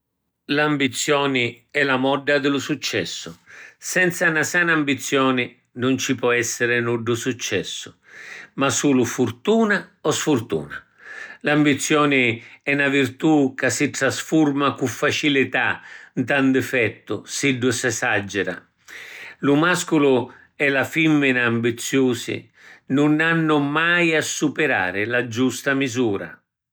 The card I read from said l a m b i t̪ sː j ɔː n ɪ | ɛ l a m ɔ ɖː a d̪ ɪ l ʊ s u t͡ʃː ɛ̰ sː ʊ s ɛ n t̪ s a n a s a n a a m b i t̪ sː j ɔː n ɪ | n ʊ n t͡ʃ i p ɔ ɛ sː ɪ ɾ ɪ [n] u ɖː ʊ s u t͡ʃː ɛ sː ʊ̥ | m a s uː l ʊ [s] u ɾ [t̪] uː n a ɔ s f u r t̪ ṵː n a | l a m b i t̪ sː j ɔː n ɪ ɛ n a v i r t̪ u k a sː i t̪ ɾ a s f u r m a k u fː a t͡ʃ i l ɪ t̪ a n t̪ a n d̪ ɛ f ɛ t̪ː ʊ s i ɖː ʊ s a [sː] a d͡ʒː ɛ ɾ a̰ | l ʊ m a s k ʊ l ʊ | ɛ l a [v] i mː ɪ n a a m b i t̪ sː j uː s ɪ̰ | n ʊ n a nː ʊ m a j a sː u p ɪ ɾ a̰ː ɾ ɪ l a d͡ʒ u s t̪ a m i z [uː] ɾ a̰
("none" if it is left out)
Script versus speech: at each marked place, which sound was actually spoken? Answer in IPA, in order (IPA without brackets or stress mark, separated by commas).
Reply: n, f, t̪, s, f, uː